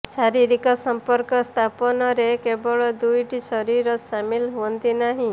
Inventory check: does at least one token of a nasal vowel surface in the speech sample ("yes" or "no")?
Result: yes